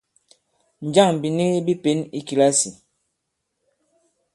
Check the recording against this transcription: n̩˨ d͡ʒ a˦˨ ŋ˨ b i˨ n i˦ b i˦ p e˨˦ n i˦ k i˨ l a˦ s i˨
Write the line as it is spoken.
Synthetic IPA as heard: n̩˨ d͡ʒ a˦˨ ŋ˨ b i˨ n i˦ b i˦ p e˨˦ n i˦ k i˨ l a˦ s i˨